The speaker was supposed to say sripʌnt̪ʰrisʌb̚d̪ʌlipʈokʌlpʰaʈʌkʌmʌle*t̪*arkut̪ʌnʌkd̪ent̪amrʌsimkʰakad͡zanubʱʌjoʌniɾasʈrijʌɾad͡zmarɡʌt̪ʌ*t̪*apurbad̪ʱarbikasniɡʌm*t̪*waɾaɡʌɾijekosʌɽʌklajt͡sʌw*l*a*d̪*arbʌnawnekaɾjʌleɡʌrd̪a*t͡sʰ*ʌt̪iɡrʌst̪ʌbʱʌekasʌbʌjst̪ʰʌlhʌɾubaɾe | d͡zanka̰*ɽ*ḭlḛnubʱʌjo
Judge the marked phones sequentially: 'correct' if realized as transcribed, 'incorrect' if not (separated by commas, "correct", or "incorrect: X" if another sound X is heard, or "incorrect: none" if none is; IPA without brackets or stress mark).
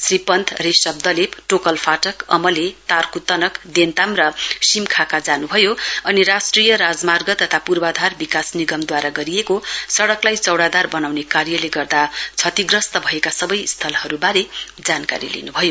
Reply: correct, incorrect: t̪ʰ, incorrect: d̪, incorrect: ɽ, correct, correct, incorrect: ɾ